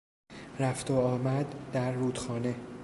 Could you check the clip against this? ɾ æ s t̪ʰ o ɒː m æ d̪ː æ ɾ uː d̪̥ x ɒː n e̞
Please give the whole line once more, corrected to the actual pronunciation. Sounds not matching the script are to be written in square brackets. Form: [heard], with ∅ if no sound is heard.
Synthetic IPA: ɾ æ [f] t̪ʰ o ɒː m æ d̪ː æ [ɾː] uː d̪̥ x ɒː n e̞